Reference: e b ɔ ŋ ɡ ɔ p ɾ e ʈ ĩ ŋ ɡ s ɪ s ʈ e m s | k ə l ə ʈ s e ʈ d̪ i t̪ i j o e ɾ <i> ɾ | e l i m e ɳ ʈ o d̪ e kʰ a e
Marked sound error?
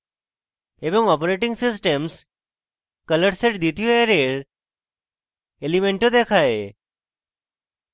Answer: yes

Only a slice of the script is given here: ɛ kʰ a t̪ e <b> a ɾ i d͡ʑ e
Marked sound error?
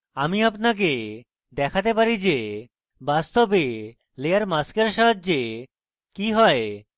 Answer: yes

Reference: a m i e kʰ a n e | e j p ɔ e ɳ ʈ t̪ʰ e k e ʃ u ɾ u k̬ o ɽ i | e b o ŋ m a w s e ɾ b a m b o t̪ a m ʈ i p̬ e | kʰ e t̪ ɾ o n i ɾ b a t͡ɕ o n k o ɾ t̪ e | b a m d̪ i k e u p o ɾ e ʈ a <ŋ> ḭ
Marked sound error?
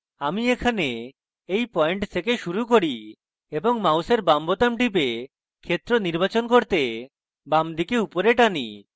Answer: yes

